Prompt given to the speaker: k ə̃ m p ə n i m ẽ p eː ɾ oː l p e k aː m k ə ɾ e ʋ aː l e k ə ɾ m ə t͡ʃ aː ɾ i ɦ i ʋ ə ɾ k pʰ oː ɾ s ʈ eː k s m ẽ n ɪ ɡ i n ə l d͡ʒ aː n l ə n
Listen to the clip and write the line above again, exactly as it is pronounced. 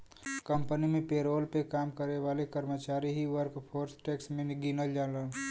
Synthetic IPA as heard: k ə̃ m p ə n i m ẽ p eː ɾ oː l p e k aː m k ə ɾ e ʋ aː l e k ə ɾ m ə t͡ʃ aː ɾ i ɦ i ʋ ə ɾ k pʰ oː ɾ s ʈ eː k s m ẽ n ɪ ɡ i n ə l d͡ʒ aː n l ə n